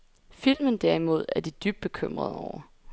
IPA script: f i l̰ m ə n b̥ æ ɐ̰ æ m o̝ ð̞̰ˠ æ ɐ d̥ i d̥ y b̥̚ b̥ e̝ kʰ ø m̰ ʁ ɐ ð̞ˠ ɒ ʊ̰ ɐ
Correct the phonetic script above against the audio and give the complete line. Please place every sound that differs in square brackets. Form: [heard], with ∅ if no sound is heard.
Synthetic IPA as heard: f i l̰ m ə n [d̥] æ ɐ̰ [i] m o̝ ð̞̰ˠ æ ɐ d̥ i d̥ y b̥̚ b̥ e̝ kʰ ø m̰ ʁ ɐ ð̞ˠ ɒ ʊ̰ ɐ